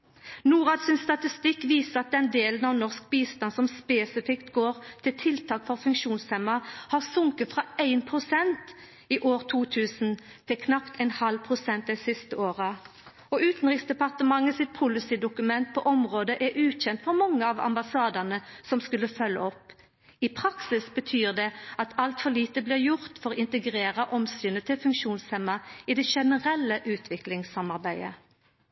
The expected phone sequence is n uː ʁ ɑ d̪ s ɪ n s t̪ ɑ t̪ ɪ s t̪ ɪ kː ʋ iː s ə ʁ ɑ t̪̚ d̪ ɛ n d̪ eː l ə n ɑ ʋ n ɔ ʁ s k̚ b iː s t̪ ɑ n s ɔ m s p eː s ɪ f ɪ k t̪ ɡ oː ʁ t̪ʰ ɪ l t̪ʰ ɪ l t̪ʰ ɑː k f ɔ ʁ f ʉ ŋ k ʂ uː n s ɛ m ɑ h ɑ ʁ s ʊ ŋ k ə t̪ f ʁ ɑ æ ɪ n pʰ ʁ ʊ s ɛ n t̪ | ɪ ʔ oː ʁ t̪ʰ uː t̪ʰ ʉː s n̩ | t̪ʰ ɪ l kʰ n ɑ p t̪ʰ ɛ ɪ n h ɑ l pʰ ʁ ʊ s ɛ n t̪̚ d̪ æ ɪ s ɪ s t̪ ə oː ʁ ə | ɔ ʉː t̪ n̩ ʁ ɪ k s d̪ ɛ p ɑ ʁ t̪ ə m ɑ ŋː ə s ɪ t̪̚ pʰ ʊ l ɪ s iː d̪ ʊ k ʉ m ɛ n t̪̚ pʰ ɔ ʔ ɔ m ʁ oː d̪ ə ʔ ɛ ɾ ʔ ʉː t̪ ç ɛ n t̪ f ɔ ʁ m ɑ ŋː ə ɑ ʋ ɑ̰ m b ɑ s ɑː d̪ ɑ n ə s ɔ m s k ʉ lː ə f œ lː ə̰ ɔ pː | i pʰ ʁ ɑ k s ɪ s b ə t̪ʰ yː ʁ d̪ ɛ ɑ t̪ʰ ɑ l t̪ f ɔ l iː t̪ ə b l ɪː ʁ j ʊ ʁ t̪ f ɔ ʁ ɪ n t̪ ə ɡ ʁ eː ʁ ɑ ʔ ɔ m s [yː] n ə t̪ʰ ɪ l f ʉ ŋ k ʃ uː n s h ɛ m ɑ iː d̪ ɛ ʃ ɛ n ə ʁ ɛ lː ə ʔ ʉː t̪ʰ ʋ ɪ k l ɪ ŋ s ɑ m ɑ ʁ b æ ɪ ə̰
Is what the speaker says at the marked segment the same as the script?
yes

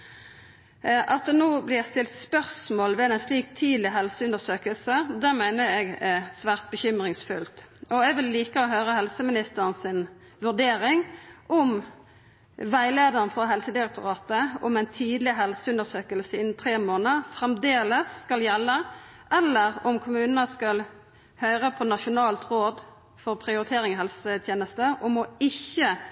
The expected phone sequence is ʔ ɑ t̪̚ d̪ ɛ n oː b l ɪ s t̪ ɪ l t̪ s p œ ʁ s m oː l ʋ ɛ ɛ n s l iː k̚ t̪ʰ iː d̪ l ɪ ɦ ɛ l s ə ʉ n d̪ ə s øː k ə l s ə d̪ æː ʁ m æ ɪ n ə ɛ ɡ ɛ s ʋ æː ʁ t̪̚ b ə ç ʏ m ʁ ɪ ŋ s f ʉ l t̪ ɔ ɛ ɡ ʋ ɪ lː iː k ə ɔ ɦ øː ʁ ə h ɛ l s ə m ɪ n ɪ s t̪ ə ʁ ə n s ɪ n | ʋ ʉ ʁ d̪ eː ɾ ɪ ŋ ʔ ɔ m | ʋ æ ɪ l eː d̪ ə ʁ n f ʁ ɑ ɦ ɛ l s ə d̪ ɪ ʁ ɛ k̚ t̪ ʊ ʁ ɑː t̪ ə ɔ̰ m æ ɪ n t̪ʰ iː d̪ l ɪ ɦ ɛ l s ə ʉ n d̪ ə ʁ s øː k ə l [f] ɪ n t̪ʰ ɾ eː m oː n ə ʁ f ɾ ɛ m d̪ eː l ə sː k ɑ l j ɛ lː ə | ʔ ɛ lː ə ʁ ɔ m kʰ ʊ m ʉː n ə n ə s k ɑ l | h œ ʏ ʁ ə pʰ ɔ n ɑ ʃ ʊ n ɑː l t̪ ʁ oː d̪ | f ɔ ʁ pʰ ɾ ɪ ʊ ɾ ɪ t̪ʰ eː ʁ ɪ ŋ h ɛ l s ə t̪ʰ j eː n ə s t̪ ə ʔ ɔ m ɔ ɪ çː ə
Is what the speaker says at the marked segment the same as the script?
no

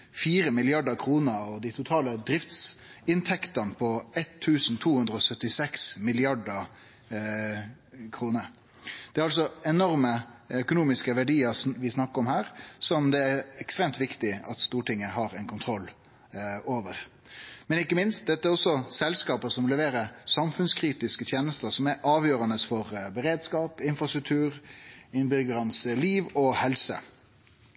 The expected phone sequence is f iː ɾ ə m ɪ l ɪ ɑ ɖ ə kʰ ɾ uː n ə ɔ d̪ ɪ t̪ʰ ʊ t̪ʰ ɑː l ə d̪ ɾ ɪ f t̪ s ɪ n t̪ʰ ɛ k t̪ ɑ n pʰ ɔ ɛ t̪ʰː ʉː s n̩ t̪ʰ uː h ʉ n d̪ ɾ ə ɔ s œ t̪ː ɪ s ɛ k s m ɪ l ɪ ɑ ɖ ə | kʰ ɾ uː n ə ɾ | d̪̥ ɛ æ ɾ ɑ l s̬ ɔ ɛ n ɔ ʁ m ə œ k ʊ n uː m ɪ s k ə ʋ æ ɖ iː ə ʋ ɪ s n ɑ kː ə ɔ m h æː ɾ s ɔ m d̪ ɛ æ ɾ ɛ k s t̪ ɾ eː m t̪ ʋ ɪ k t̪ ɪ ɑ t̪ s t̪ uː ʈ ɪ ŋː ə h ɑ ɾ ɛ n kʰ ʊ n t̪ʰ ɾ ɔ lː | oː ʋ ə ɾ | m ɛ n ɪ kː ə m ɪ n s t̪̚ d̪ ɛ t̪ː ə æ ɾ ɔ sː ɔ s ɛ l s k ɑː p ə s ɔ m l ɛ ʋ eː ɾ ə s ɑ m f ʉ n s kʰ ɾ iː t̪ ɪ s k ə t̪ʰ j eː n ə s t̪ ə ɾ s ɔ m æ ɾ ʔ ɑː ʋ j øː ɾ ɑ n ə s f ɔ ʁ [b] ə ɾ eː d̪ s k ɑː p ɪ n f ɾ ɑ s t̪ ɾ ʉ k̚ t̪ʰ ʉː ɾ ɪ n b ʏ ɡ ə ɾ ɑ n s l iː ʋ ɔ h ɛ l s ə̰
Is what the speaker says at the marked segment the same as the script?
yes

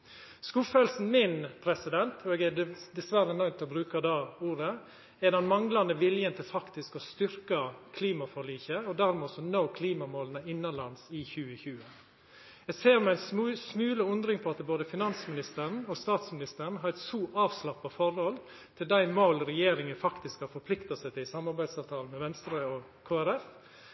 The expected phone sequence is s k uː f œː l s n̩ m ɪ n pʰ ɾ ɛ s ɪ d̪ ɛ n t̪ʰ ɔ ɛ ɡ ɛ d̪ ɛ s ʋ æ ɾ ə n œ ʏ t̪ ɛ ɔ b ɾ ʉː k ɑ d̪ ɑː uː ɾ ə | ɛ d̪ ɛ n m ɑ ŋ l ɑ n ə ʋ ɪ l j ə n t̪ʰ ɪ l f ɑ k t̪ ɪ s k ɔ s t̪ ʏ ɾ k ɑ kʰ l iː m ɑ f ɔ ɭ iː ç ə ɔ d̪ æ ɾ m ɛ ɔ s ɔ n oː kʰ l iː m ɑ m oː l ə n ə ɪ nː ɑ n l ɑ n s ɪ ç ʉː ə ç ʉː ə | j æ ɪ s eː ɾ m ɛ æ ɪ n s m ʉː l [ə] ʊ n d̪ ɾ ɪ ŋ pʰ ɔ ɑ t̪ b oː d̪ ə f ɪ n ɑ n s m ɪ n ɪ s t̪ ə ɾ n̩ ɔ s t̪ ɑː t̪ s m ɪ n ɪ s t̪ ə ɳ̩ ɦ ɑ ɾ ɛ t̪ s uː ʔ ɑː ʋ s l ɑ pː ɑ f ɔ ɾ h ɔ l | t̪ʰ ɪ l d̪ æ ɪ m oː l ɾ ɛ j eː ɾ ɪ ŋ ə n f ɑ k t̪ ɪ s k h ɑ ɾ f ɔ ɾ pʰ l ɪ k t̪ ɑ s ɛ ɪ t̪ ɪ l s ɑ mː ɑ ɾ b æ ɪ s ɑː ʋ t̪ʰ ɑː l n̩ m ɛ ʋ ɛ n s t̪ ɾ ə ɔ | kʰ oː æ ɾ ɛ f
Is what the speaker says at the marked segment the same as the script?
yes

